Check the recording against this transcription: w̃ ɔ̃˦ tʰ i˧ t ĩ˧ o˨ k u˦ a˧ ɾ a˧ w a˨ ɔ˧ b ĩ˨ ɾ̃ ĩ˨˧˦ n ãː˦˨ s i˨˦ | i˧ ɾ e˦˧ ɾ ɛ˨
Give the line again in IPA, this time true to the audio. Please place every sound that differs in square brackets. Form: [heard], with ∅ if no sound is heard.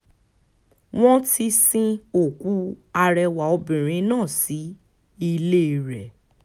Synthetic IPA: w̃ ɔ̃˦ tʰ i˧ [s] ĩ˧ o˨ k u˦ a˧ ɾ [ɛ˧] w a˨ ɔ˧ b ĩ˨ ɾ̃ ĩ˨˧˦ n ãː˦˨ s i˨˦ | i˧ [l] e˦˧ ɾ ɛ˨